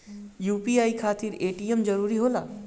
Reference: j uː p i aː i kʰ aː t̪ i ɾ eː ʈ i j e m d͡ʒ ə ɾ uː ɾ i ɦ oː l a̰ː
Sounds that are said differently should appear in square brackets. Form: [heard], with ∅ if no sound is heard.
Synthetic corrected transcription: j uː p i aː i kʰ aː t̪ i ɾ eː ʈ i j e m d͡ʒ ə ɾ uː ɾ i ɦ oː l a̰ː